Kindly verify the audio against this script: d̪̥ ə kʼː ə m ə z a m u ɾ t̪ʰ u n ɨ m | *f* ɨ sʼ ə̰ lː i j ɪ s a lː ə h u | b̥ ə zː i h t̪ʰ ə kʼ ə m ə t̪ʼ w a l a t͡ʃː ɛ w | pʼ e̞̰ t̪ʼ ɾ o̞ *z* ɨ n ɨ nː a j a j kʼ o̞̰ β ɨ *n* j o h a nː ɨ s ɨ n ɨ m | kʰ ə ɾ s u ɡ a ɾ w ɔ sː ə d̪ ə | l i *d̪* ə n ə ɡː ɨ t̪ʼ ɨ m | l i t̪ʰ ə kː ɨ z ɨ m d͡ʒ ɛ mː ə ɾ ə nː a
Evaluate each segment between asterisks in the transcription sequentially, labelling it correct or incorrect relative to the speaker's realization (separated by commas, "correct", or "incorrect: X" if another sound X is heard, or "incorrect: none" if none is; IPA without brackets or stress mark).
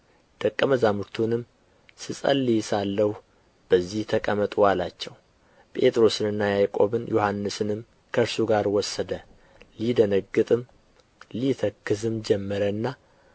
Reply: incorrect: s, incorrect: s, correct, correct